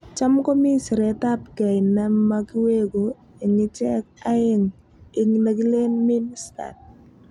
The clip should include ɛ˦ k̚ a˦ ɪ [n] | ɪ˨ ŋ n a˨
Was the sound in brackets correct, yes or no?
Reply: no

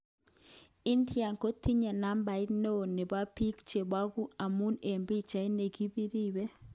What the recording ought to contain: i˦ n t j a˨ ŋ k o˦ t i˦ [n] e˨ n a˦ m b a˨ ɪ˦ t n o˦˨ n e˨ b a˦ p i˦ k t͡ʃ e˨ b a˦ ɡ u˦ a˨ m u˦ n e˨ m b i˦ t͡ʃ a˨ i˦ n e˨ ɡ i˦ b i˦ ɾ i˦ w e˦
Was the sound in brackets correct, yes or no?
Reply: no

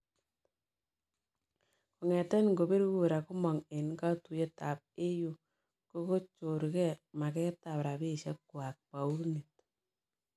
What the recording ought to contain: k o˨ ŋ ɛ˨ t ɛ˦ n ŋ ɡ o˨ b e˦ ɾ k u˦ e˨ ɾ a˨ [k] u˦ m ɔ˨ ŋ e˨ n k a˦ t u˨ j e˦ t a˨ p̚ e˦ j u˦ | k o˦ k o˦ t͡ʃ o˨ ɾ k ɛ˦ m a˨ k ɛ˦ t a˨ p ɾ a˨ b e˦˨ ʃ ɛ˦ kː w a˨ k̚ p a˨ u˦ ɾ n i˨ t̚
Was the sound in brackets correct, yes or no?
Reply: yes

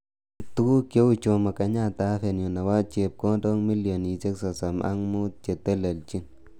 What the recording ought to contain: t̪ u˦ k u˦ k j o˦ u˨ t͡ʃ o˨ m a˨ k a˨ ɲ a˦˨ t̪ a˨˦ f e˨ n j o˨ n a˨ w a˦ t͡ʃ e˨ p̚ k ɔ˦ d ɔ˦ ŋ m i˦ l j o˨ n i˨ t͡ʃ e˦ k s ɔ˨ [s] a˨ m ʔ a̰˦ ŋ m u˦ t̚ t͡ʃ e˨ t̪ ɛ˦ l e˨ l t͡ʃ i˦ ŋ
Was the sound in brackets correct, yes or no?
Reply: yes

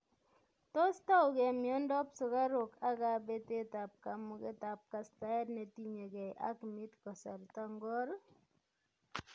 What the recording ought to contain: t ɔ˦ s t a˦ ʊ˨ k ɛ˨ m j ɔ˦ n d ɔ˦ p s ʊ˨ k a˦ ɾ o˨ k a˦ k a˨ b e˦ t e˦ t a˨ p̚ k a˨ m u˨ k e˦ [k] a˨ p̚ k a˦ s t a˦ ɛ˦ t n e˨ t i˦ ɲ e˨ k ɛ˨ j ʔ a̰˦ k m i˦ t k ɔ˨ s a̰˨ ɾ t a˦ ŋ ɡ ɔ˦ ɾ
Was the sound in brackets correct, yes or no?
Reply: no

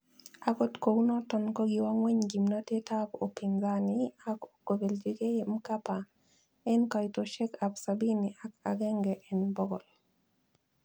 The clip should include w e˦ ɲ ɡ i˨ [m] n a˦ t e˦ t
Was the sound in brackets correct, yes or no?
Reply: yes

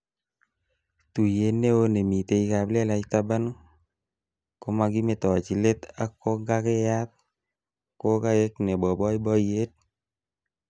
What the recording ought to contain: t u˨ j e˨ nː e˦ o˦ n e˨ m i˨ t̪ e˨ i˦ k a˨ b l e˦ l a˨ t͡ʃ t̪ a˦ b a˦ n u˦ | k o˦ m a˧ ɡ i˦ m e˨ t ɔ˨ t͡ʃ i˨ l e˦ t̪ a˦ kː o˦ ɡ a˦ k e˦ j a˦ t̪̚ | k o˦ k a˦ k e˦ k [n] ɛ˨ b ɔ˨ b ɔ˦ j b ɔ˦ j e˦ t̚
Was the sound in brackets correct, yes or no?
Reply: yes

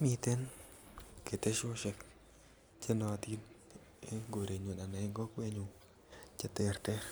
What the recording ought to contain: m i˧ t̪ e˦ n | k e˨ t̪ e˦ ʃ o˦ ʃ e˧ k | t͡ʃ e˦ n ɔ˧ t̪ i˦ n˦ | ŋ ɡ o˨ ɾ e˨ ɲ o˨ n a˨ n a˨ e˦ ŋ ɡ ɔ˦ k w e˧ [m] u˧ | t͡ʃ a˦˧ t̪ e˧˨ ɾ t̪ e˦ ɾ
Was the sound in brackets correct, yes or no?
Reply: no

